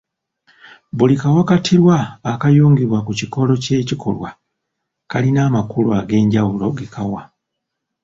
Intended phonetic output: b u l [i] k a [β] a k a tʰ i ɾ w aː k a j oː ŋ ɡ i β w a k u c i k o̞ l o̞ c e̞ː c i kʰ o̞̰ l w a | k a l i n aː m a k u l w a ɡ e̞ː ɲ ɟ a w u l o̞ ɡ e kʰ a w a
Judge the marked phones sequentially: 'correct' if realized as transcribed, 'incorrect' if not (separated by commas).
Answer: correct, incorrect